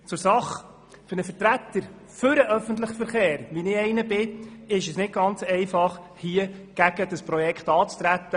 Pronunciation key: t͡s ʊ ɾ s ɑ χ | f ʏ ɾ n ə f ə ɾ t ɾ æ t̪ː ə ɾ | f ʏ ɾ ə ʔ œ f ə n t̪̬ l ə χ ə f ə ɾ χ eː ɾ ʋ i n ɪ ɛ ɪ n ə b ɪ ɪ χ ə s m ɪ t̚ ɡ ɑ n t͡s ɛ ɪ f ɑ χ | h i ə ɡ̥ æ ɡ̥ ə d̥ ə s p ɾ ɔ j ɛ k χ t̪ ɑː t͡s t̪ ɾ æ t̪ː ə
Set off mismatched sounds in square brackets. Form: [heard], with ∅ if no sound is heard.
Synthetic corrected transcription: t͡s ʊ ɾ s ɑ χ | f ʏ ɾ n ə f ə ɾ t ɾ æ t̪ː ə ɾ | f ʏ ɾ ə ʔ œ f ə n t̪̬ l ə χ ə f ə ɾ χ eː ɾ ʋ i n ɪ ɛ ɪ n ə b ɪ ɪ [ʃ] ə s [n] ɪ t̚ ɡ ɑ n t͡s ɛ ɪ f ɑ χ | h i ə ɡ̥ æ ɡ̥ ə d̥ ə s p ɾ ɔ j ɛ k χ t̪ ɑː t͡s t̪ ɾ æ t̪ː ə